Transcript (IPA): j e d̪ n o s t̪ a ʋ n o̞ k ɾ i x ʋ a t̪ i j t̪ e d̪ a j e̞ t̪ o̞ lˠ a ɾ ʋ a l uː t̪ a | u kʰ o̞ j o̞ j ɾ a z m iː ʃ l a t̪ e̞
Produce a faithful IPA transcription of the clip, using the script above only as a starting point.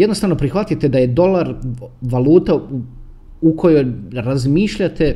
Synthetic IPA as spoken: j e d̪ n o s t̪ a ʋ n o̞ p ɾ i x ʋ a t̪ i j t̪ e d̪ a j e̞ d̪ o̞ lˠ a ɾ ʋ a l uː t̪ a | u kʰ o̞ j o̞ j ɾ a z m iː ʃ ʎ a t̪ e̞